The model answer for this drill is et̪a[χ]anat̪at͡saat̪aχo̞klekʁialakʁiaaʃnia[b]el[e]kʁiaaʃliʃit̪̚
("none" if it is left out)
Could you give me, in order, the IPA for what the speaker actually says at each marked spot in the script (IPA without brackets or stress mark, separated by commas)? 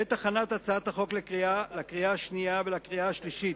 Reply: χ, v, a